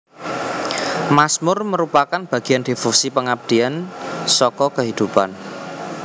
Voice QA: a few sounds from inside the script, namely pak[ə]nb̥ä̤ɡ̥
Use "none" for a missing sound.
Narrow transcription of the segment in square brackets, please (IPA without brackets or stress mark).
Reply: a